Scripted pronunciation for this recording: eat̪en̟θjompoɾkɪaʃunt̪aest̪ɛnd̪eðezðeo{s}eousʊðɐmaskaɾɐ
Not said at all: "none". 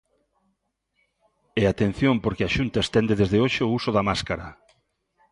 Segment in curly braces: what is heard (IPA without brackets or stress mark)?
ʃ